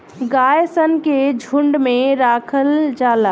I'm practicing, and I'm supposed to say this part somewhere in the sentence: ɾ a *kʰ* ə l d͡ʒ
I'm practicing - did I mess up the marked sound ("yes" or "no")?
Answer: no